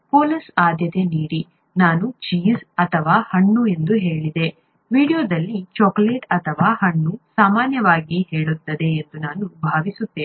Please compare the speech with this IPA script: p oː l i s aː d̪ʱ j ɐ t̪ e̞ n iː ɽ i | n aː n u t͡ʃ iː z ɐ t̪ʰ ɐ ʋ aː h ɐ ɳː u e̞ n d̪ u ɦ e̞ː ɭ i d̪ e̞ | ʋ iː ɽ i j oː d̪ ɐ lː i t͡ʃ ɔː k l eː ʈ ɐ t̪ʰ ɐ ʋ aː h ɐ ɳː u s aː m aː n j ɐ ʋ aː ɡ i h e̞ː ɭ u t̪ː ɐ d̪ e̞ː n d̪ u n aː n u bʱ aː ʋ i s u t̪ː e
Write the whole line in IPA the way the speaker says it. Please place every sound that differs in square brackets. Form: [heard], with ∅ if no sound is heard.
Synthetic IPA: p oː l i s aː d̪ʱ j ɐ t̪ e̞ n iː ɽ i | n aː n u t͡ʃ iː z ɐ t̪ʰ ɐ ʋ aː h ɐ ɳː u e̞ n d̪ u ɦ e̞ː ɭ i d̪ e̞ | ʋ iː ɽ i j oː d̪ ɐ lː i t͡ʃ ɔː k l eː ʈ ɐ t̪ʰ ɐ ʋ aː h ɐ ɳː u s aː m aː n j ɐ ʋ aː ɡ i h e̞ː ɭ u t̪ː ɐ d̪ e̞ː n d̪ u n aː n u bʱ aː ʋ i s u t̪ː e